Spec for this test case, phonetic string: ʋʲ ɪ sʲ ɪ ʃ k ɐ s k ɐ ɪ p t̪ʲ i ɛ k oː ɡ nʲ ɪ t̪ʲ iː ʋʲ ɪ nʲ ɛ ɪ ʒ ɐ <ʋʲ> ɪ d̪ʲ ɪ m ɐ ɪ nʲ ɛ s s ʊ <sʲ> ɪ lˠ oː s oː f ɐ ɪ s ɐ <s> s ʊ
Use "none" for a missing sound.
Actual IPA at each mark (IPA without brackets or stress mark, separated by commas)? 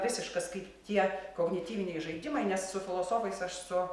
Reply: none, fʲ, ʃ